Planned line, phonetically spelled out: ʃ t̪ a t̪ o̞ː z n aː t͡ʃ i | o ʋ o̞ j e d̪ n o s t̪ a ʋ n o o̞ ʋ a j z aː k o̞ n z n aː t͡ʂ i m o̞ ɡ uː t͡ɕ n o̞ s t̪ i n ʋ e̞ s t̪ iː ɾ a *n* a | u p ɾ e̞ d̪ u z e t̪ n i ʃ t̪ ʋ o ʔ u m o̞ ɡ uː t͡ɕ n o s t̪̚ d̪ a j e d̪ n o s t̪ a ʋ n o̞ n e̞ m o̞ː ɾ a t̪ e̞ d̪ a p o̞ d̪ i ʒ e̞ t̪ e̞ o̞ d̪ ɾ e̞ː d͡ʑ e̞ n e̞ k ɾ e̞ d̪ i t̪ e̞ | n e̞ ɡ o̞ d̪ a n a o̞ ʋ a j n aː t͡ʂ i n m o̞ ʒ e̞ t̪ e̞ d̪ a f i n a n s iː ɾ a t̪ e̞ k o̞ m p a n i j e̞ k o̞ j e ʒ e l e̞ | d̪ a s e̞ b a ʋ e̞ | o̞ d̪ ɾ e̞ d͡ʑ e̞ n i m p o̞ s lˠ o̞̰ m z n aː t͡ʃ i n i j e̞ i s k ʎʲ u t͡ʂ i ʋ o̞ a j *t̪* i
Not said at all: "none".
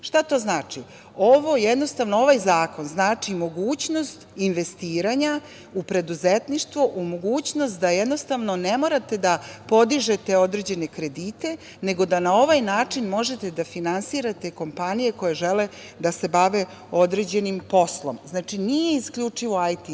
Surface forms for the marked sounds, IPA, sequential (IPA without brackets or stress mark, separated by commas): ɲ, t̪